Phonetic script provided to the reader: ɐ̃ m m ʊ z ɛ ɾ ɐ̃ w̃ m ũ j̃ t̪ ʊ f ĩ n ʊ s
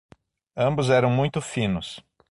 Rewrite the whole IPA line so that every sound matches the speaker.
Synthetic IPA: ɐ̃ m b ʊ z ɛ ɾ ɐ̃ w̃ m ũ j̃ t̪ ʊ f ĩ n ʊ s